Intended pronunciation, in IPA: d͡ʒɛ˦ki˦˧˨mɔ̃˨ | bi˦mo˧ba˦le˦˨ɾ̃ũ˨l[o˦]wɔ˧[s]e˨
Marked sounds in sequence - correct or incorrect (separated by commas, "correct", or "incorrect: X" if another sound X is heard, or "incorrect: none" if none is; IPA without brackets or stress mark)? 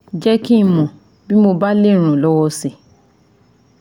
incorrect: ɔ˦, correct